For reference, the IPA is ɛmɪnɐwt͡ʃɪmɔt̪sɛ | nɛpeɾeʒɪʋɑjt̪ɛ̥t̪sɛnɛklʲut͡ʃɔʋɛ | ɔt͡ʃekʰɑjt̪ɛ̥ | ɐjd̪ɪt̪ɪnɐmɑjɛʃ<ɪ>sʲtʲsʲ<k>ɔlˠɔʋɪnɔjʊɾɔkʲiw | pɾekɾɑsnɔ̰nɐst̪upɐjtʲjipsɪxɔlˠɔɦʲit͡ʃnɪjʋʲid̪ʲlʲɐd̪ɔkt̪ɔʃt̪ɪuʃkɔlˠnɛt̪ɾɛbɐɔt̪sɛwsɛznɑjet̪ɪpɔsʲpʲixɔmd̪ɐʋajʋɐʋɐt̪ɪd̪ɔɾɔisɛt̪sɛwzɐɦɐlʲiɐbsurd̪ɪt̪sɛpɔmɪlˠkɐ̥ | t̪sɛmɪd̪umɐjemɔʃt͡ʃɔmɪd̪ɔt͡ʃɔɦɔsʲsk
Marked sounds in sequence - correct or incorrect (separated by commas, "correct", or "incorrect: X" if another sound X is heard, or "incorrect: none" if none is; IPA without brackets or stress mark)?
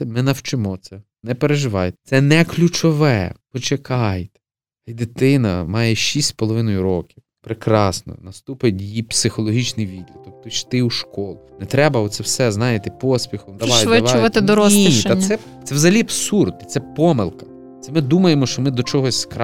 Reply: incorrect: i, incorrect: p